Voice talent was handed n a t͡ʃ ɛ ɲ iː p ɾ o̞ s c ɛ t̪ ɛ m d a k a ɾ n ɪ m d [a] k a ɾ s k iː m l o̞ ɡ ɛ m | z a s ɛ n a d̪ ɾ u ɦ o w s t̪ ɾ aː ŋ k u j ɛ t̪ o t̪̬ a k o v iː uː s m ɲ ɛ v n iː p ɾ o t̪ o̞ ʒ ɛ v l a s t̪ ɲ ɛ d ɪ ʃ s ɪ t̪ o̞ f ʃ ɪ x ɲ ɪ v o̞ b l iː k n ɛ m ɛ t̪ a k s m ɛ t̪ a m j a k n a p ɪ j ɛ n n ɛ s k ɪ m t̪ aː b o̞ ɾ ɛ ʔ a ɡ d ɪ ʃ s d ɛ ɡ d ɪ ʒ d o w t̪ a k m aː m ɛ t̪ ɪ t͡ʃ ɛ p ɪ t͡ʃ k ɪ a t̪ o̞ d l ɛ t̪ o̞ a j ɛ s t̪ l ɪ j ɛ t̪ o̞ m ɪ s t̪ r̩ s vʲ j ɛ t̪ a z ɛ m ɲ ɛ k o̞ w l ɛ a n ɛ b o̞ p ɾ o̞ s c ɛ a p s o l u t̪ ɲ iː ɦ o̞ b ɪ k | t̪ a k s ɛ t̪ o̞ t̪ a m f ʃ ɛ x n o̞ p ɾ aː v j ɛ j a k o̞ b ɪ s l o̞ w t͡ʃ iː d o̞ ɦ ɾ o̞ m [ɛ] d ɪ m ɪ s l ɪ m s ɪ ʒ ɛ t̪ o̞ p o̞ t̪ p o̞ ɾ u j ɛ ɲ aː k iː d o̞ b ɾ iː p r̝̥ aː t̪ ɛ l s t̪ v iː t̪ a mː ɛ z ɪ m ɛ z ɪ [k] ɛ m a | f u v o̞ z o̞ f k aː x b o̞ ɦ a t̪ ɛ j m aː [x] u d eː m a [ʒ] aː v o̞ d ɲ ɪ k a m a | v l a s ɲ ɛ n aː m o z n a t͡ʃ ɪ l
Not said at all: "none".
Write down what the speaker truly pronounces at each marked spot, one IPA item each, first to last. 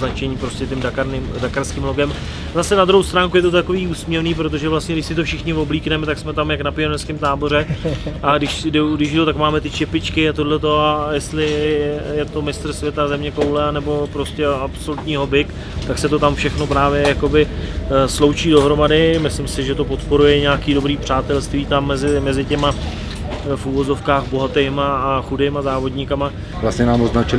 a, a, c, x, z

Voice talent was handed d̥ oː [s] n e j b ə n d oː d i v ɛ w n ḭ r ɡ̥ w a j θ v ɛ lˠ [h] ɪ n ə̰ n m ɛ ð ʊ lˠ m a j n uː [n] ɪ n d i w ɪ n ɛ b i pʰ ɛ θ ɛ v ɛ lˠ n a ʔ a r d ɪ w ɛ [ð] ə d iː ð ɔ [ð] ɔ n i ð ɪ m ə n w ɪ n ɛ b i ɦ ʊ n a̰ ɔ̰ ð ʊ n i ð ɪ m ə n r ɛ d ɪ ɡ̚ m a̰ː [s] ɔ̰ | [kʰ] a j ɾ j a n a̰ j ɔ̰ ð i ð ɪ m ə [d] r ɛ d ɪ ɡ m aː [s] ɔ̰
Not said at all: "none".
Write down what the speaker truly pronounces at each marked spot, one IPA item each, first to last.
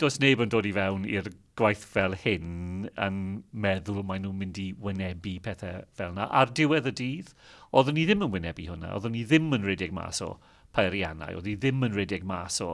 s, h, m, ð, ð, s, pʰ, n, s

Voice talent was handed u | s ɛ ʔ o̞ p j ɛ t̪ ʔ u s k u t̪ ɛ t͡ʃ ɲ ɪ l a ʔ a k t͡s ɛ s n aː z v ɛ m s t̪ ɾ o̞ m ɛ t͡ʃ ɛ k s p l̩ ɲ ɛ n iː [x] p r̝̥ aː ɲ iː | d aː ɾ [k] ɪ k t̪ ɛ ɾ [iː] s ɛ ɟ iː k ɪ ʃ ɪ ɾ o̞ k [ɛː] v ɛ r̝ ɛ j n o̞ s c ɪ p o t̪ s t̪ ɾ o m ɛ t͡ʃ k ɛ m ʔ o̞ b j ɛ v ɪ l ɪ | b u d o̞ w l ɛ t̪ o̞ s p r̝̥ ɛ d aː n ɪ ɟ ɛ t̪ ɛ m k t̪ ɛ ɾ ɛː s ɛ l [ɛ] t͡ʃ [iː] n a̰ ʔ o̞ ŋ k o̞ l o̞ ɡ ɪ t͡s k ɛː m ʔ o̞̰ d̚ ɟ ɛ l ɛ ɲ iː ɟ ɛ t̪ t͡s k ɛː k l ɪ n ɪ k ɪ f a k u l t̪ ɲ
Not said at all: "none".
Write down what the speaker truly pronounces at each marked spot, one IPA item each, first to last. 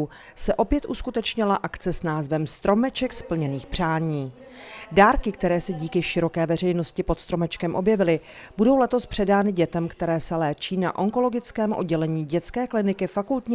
x, k, ɛː, ɛː, ɛː, iː

